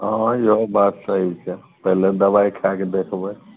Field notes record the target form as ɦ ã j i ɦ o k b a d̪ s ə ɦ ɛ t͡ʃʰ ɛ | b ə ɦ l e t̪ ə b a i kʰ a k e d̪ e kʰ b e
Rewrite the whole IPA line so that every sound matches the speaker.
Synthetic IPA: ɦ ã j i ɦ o b a t̪ s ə ɦ i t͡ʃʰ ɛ | p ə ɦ l e d̪ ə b a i kʰ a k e d̪ e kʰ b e